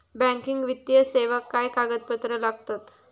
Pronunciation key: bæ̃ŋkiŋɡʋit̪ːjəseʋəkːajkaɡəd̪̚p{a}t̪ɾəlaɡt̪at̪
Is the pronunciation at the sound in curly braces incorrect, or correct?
incorrect